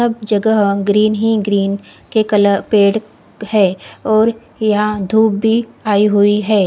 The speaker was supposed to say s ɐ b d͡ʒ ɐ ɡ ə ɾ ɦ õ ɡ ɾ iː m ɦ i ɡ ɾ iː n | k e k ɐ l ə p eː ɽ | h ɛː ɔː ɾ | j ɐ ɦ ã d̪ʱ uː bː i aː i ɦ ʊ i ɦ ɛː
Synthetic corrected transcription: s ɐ b d͡ʒ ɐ ɡ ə ɦ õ ɡ ɾ iː n ɦ i ɡ ɾ iː n | k e k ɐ l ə p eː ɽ | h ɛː ɔː ɾ | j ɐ ɦ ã d̪ʱ uː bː i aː i ɦ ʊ i ɦ ɛː

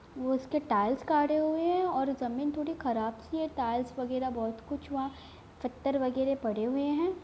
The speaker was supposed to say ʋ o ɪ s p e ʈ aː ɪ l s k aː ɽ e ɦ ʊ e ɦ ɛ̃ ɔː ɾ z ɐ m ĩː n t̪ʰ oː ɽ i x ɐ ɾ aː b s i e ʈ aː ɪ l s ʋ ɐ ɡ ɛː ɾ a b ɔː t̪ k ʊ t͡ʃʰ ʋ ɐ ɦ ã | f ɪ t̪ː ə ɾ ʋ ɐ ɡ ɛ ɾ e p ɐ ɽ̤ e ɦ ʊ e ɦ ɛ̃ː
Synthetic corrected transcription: ʋ o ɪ s k e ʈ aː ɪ l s k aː ɽ e ɦ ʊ e ɦ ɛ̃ ɔː ɾ z ɐ m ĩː n t̪ʰ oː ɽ i x ɐ ɾ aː b s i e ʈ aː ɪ l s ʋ ɐ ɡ ɛː ɾ a b ɔː t̪ k ʊ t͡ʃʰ ʋ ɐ ɦ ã | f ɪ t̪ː ə ɾ ʋ ɐ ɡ ɛː ɾ e p ɐ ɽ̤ e ɦ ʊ e ɦ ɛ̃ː

